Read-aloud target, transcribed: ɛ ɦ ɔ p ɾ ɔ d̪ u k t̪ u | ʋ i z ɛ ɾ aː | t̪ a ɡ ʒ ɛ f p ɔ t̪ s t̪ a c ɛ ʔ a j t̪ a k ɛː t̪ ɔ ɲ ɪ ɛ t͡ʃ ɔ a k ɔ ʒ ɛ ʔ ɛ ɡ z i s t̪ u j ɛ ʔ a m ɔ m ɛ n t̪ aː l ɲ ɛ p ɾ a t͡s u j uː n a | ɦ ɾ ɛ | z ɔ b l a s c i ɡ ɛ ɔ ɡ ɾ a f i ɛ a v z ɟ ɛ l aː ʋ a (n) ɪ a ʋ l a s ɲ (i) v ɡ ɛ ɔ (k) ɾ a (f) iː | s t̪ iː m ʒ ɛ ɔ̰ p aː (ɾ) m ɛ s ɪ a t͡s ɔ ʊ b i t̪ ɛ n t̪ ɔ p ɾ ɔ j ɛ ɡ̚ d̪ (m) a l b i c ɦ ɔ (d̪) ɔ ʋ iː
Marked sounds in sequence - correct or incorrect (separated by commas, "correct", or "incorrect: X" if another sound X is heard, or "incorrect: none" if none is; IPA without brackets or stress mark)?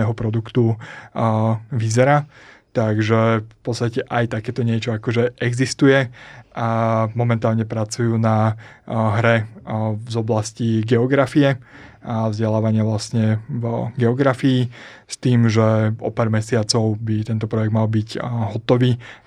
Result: incorrect: ɲ, incorrect: ɛ, incorrect: ɡ, correct, correct, correct, incorrect: t̪